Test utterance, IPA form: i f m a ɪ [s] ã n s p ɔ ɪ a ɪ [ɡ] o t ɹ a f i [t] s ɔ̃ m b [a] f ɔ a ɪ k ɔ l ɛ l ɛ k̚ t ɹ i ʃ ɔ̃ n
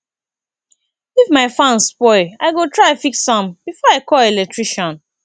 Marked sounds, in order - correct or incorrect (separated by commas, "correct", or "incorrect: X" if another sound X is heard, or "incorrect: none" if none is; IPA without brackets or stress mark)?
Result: incorrect: f, correct, incorrect: k, incorrect: i